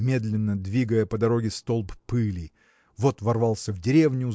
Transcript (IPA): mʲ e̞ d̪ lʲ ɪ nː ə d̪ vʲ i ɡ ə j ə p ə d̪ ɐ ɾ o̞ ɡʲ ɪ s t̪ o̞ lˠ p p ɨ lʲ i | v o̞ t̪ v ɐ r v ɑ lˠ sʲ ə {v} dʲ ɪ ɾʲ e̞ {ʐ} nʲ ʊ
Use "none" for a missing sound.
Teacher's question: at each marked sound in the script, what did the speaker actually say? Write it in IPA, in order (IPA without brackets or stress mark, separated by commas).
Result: v, v